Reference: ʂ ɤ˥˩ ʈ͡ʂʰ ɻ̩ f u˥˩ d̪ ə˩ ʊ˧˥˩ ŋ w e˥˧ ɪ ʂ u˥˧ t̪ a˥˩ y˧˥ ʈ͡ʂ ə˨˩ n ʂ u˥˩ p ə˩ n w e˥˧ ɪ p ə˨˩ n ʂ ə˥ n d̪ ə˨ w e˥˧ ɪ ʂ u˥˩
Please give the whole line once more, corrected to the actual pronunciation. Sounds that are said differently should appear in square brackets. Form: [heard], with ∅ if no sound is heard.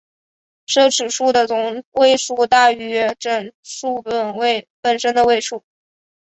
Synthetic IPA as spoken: ʂ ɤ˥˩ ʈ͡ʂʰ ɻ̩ [ʂ] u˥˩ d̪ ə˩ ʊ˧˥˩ ŋ w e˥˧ ɪ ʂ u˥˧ t̪ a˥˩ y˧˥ ʈ͡ʂ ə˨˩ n ʂ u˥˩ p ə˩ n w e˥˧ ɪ p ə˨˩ n ʂ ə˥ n d̪ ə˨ w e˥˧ ɪ ʂ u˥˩